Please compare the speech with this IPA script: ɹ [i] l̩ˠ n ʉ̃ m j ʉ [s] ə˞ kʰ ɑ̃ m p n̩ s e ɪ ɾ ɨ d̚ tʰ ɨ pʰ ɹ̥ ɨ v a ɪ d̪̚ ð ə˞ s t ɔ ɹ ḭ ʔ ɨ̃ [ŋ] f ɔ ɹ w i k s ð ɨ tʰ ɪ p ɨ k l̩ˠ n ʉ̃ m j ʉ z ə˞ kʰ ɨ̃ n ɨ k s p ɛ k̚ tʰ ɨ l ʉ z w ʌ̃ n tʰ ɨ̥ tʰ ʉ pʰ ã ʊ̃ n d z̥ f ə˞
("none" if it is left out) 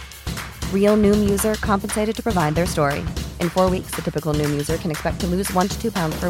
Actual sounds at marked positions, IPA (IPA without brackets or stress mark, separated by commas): i, z, n